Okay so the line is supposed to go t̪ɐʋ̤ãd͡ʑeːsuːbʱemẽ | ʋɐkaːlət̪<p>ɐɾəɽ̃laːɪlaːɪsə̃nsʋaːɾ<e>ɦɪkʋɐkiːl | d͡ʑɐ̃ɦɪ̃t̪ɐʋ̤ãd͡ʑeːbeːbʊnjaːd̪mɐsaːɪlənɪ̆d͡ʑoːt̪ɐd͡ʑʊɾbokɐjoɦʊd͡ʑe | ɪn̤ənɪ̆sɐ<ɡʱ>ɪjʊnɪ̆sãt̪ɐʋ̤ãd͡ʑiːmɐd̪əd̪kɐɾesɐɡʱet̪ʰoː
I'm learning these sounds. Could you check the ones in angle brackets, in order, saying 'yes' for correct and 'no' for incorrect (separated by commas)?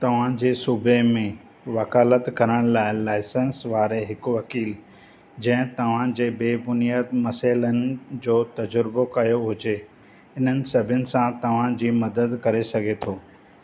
no, yes, no